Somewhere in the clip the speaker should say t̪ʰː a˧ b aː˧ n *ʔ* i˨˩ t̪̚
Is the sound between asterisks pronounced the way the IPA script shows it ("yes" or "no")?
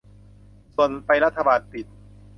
no